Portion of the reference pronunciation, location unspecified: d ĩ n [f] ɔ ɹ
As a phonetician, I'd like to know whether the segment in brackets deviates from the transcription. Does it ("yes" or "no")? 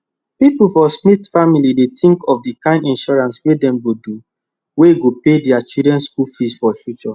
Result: yes